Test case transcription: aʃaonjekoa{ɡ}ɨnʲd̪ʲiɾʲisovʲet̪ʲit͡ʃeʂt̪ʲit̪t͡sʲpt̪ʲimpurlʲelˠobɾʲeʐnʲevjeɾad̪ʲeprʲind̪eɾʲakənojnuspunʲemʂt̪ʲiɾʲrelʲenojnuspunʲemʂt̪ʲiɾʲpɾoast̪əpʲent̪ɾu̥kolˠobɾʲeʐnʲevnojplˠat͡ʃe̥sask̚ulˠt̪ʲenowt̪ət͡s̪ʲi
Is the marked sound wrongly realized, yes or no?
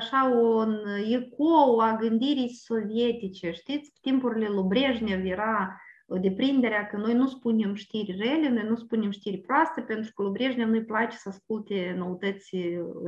no